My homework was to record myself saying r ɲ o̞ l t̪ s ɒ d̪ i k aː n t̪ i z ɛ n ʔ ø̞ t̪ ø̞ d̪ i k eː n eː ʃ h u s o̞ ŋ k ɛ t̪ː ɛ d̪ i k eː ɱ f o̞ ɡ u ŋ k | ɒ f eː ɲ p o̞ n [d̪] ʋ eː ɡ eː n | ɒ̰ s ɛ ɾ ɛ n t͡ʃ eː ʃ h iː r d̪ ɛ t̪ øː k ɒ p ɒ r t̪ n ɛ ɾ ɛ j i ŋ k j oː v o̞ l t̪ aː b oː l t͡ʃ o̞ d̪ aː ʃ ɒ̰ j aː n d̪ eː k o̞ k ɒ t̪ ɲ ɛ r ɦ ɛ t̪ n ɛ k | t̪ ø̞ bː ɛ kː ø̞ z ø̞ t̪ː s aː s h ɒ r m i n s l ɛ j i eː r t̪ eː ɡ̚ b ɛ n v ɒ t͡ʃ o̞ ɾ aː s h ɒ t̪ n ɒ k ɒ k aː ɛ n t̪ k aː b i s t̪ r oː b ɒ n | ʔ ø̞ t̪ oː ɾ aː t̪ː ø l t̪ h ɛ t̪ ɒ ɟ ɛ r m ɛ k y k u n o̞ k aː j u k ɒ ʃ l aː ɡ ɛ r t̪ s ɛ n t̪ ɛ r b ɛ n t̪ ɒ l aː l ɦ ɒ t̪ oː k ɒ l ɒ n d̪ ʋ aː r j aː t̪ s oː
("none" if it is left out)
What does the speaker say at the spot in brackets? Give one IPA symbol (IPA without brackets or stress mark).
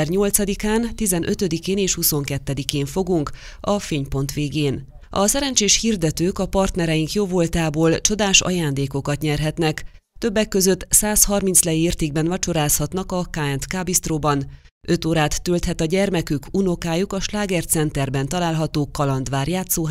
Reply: t̪